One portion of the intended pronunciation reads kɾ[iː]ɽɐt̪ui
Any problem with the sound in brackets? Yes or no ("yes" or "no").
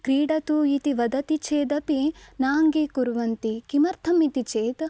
no